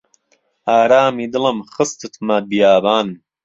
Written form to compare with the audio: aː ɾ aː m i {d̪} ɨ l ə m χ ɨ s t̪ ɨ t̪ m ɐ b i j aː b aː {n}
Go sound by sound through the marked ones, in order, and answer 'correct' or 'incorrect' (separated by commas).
correct, correct